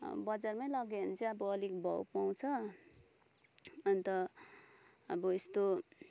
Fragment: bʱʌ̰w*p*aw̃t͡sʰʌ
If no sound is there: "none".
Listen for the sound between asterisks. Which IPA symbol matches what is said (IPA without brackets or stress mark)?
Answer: p